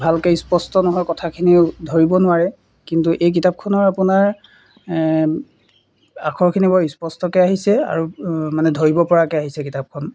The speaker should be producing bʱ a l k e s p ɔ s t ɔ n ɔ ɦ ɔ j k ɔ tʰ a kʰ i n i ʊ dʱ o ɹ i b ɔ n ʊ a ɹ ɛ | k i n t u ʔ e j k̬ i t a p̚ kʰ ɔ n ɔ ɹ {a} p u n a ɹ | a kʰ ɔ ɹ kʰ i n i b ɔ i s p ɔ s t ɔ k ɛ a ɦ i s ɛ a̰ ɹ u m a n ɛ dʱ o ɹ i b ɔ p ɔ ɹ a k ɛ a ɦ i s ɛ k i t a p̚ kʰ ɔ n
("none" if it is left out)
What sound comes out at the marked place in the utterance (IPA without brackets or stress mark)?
a